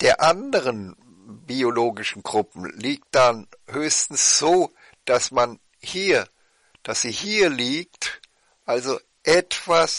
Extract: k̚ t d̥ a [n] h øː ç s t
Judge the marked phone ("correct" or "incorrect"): correct